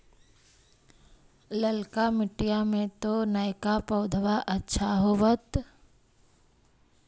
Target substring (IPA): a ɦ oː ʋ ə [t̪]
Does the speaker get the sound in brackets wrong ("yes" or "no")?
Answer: no